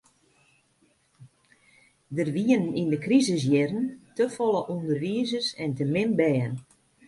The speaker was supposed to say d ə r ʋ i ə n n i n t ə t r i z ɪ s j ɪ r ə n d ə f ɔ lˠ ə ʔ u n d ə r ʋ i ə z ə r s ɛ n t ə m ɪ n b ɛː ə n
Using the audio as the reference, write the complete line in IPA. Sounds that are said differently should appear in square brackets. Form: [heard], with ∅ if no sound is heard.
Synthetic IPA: d ə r ʋ i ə n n i n [d] ə [k] r i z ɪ s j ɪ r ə n [t] ə f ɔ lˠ ə ʔ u n d ə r ʋ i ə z ə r s ɛ n t ə m ɪ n b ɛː ə n